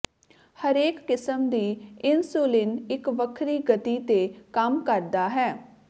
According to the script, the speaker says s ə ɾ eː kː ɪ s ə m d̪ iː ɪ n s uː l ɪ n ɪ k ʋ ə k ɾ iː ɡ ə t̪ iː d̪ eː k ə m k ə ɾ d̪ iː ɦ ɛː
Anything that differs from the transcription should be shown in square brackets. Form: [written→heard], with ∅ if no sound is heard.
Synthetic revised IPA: [s→h] ə ɾ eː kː ɪ s ə m d̪ iː ɪ n s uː l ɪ n ɪ k ʋ ə [k→kʰ] ɾ iː ɡ ə t̪ iː [d̪→t̪] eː k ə m k ə ɾ d̪ [iː→aː] ɦ ɛː